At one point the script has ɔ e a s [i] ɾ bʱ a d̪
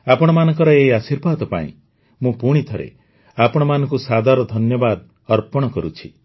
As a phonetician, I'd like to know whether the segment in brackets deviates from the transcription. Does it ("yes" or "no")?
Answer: no